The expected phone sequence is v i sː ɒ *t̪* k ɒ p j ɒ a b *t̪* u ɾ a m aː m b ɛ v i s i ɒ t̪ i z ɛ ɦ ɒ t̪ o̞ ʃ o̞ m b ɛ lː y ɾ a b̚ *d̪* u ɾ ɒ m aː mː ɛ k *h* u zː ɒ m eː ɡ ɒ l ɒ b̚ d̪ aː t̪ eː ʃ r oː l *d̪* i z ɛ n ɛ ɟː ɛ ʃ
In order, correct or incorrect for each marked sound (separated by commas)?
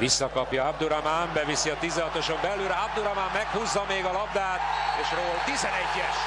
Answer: incorrect, incorrect, correct, correct, incorrect